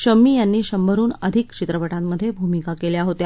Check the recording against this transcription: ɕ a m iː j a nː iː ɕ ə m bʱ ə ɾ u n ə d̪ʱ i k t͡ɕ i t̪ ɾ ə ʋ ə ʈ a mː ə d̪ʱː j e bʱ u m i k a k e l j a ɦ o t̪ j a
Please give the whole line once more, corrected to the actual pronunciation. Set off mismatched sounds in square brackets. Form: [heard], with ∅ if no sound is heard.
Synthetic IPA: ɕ [ə] m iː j a nː iː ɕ ə m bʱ ə ɾ [uː] n ə d̪ʱ i k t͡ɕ i t̪ ɾ ə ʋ ə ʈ a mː ə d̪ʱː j e bʱ u m i k a k e l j a ɦ o t̪ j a